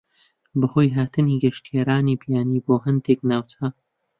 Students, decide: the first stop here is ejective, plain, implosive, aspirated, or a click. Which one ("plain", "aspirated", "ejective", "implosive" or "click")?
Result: plain